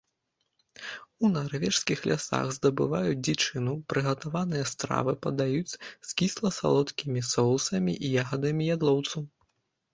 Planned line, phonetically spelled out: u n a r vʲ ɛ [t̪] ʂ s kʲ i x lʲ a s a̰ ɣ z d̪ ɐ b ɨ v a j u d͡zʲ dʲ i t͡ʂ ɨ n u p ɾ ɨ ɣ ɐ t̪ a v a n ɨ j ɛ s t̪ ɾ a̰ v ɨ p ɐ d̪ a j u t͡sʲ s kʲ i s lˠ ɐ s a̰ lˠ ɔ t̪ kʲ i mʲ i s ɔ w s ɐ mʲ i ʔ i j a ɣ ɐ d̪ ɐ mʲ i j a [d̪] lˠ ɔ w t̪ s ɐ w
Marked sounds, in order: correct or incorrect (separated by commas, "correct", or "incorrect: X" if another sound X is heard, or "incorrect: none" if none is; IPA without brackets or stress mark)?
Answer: incorrect: none, correct